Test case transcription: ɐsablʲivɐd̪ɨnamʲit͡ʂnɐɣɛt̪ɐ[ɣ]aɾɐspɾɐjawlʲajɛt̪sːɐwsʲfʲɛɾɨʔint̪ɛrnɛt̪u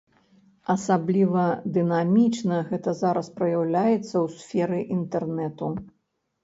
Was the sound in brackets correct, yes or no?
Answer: no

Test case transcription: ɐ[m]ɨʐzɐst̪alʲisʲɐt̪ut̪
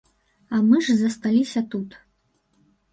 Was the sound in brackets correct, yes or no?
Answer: yes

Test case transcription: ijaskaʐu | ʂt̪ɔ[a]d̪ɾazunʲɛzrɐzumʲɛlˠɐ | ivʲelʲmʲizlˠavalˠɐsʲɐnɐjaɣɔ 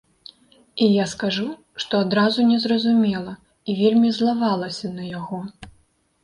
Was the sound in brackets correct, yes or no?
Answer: yes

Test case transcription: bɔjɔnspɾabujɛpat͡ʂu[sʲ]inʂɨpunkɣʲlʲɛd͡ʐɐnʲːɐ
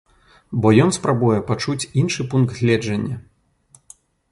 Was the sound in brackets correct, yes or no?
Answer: no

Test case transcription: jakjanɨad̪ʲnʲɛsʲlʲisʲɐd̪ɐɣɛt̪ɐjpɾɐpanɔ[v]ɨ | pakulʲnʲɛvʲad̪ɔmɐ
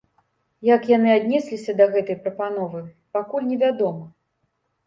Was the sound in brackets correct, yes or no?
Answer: yes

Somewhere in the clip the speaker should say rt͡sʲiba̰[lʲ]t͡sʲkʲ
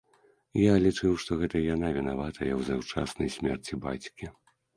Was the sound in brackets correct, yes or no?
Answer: no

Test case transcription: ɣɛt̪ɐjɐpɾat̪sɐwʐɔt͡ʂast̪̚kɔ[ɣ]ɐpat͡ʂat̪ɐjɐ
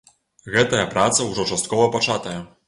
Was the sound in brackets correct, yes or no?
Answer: no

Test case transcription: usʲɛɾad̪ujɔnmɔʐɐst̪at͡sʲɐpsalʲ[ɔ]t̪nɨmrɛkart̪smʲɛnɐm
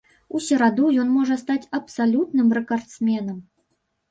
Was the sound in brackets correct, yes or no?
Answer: no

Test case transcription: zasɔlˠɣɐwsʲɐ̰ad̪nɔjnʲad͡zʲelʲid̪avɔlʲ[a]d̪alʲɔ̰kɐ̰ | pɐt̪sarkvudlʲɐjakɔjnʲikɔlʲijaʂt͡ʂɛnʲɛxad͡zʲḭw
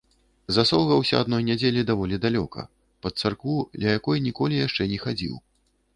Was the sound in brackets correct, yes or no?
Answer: no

